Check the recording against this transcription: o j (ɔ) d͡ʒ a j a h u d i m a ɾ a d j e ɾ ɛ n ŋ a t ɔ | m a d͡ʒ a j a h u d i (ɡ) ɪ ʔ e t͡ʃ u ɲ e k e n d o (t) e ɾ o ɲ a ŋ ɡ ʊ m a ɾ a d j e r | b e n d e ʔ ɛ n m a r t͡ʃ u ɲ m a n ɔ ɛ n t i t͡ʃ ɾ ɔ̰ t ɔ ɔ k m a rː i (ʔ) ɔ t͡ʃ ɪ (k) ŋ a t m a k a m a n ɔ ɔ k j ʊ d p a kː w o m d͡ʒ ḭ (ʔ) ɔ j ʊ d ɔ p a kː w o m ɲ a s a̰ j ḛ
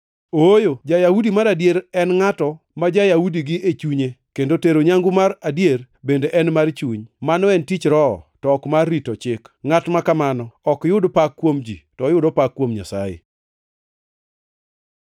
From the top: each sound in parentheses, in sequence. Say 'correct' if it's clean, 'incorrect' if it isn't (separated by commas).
incorrect, correct, correct, incorrect, correct, incorrect